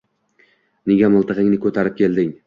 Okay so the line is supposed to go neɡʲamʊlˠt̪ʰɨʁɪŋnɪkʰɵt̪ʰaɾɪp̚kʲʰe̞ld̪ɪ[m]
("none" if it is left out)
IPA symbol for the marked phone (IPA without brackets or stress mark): ŋ